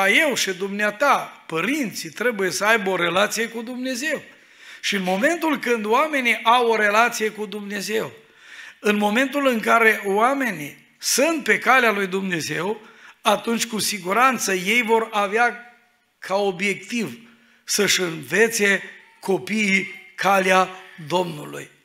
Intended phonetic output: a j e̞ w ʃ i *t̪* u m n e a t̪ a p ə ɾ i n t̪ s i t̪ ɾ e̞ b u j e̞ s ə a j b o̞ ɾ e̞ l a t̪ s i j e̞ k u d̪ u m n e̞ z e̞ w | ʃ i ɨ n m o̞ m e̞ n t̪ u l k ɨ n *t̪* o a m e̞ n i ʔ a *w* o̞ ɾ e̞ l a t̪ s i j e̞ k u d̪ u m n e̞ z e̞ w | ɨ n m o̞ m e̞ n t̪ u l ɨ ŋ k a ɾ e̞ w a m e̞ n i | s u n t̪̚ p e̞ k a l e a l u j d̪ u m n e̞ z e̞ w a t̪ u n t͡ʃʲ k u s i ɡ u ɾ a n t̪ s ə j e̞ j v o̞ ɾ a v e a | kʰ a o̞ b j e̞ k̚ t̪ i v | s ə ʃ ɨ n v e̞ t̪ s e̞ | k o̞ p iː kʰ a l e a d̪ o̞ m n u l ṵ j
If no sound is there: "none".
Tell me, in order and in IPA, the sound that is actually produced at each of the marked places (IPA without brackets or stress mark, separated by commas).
d̪, d̪, w